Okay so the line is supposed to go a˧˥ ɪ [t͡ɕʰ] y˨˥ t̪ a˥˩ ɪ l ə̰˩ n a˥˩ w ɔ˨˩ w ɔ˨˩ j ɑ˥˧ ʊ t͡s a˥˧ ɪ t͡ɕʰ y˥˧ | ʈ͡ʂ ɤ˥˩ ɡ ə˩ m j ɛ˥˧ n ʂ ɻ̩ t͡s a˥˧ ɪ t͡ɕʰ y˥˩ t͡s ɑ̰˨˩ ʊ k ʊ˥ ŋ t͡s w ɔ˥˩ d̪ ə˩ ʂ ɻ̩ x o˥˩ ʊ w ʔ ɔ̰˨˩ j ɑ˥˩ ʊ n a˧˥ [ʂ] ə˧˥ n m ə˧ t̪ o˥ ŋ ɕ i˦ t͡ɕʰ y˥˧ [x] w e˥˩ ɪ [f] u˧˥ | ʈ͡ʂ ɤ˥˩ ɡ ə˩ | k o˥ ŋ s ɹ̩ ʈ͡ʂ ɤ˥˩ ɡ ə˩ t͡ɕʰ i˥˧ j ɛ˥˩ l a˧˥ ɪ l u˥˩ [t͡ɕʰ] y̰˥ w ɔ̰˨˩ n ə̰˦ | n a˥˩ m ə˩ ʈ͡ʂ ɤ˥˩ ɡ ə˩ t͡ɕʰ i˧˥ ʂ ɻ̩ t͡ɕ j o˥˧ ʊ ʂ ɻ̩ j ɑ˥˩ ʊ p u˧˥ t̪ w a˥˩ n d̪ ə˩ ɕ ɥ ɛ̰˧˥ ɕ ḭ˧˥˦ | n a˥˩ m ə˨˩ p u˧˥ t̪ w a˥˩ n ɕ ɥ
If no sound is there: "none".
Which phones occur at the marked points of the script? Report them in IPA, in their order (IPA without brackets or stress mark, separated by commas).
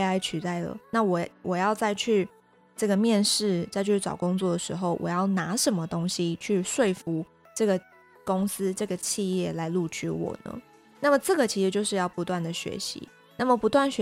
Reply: t͡ɕʰ, ʂ, ʂ, f, t͡ɕʰ